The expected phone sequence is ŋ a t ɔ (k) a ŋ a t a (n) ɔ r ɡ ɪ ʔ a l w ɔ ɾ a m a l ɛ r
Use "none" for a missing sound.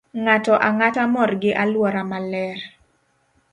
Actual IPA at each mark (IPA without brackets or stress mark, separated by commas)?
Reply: ʔ, m